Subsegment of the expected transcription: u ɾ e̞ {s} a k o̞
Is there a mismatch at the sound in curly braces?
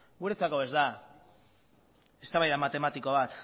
yes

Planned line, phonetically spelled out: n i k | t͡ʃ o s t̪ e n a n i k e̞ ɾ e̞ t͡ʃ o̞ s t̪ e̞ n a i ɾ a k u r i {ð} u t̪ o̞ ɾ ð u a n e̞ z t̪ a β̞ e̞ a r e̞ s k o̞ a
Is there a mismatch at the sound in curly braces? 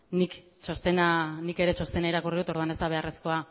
no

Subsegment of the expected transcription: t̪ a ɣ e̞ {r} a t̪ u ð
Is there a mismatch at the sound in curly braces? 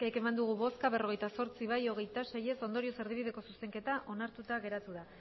yes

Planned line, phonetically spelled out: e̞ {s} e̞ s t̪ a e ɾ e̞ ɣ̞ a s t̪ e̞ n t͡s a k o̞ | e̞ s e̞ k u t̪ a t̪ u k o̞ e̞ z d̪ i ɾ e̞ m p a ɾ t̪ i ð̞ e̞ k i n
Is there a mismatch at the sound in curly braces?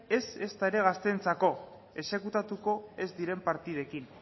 no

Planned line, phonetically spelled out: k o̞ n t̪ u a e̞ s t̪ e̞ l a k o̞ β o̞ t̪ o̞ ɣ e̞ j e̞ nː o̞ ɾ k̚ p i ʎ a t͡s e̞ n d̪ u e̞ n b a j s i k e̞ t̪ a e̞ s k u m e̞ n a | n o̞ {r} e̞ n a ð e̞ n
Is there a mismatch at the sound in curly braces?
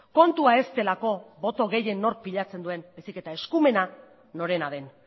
yes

